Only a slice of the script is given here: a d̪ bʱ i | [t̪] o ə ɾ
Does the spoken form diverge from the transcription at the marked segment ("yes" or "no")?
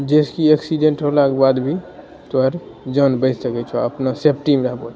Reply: no